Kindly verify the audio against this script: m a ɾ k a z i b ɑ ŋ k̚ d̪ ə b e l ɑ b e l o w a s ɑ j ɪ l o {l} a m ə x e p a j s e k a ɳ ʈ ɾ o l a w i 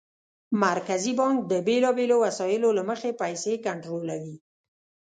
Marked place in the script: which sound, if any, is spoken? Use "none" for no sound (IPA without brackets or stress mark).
l